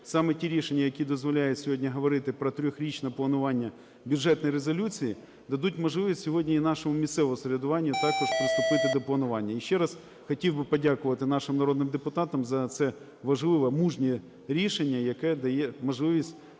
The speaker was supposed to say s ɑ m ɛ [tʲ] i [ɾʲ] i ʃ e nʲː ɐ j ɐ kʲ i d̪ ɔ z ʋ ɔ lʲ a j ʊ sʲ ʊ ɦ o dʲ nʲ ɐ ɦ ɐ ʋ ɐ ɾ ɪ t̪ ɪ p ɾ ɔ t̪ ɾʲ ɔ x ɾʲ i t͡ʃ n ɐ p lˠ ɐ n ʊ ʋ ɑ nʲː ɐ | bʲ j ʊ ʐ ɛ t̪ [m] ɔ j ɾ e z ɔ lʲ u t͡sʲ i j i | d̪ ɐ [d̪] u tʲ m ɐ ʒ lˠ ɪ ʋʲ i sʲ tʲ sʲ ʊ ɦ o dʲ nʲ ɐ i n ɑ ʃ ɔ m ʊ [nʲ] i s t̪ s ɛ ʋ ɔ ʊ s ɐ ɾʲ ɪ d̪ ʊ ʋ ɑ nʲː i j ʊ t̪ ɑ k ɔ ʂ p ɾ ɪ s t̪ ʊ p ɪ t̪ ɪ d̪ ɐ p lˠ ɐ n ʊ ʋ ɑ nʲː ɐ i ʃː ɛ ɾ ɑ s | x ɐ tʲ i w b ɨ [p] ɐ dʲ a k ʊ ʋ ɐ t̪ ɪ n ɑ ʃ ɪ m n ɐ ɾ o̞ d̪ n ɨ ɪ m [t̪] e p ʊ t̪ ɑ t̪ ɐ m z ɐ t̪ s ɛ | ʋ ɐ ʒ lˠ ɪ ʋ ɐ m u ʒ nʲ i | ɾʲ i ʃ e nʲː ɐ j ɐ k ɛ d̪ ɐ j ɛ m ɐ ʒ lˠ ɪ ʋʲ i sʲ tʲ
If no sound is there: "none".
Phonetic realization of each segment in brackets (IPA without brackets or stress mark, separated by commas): tʲ, ɾʲ, n, d̪, mʲ, p, d̪